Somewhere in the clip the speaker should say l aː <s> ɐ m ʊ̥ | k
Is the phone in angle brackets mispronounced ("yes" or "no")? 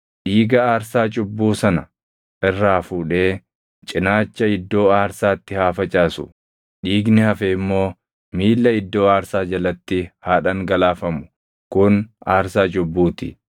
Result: yes